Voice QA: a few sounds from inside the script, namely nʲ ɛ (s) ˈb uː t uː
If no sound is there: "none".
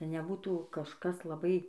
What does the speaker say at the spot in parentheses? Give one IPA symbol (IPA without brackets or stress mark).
none